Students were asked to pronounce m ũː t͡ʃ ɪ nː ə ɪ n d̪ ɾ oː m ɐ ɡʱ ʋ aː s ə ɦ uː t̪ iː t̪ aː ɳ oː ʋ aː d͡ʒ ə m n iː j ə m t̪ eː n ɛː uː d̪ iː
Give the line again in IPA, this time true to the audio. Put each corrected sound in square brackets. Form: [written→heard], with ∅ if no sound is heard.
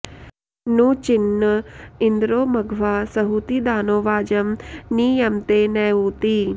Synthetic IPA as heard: [m→n] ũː t͡ʃ ɪ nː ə ɪ n d̪ ɾ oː m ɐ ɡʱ ʋ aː s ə ɦ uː t̪ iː [t̪→d̪] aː [ɳ→n] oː ʋ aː d͡ʒ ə m n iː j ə m t̪ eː n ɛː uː [d̪→t̪] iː